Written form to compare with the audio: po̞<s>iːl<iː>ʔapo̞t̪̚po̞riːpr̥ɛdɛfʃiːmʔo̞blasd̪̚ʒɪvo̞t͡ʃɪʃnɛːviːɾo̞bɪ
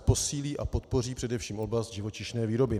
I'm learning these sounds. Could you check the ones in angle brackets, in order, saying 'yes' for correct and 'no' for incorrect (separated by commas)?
yes, yes